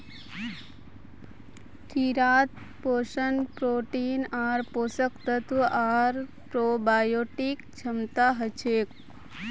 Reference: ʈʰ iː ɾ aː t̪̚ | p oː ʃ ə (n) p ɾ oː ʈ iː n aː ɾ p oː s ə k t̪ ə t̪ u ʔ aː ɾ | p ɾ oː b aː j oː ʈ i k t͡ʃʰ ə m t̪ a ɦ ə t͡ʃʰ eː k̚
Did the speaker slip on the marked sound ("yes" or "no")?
no